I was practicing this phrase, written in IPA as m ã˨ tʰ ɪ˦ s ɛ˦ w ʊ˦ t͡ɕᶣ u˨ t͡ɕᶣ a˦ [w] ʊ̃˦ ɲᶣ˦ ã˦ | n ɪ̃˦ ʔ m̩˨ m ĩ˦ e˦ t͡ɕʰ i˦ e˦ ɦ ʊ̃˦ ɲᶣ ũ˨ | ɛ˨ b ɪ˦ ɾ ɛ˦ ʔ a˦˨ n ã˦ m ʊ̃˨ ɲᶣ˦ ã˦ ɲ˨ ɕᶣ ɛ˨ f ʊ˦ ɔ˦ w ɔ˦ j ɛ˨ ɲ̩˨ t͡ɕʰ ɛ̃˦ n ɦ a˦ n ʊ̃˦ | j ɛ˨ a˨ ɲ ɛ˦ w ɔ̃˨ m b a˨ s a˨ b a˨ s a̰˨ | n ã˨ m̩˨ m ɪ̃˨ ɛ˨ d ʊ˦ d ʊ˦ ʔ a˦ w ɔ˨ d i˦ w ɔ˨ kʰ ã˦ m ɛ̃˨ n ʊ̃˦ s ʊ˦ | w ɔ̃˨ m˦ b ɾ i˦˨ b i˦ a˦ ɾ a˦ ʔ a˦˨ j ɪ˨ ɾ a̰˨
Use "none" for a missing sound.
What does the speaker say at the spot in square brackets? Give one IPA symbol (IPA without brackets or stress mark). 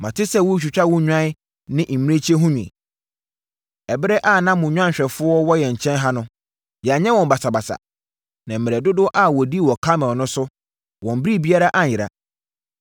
w